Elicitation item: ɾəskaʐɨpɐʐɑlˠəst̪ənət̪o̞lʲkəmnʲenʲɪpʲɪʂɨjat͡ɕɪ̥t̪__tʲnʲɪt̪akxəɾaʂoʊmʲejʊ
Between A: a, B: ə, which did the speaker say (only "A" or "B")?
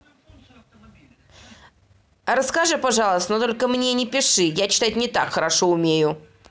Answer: A